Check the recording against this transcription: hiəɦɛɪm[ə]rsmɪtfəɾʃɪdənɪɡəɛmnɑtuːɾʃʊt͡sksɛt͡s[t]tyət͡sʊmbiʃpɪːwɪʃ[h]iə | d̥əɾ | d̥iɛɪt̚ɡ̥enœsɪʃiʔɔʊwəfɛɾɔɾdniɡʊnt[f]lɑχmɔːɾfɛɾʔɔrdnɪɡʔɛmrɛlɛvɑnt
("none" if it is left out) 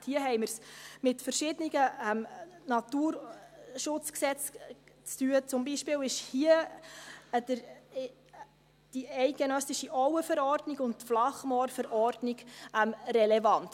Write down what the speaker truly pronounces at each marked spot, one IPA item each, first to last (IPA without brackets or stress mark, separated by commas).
ə, t͡s, h, f